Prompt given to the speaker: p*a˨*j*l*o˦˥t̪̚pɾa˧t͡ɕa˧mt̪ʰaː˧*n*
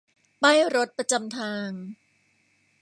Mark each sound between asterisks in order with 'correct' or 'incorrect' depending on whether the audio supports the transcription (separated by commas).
incorrect, incorrect, incorrect